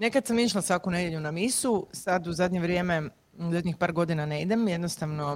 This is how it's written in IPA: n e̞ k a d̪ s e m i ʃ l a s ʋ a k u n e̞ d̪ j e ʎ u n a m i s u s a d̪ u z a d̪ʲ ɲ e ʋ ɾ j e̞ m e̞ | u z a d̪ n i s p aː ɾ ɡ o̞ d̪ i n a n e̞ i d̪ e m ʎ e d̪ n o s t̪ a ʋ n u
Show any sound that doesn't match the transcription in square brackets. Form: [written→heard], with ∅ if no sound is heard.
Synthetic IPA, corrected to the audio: n e̞ k a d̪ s [e→a] m i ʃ l a s ʋ a k u n e̞ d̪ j e ʎ u n a m i s u s a d̪ u z a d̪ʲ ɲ e ʋ ɾ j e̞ m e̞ | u z a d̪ [n→ɲ] i [s→x] p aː ɾ ɡ o̞ d̪ i n a n e̞ i d̪ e m [ʎ→j] e d̪ n o s t̪ a ʋ n [u→o]